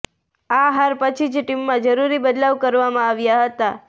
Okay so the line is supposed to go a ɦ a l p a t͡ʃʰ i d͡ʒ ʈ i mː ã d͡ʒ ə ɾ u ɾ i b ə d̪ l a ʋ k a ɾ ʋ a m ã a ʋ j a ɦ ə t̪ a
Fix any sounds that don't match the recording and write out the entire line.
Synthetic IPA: a ɦ a ɾ p ə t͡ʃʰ i d͡ʒ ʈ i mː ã d͡ʒ ə ɾ u ɾ i b ə d̪ l a ʋ k ə ɾ ʋ a m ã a ʋ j a ɦ ə t̪ a